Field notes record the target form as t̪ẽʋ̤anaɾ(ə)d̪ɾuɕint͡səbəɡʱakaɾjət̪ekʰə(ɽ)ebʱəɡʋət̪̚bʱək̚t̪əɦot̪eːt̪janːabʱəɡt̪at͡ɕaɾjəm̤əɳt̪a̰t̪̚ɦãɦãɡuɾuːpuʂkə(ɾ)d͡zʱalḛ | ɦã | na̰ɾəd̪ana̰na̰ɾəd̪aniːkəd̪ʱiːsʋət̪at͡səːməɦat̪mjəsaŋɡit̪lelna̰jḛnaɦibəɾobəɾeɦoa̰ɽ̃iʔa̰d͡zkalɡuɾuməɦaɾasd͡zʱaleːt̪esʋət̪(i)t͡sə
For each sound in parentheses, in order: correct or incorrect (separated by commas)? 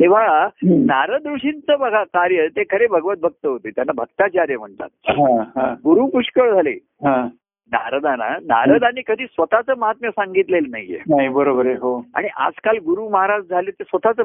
correct, incorrect, incorrect, incorrect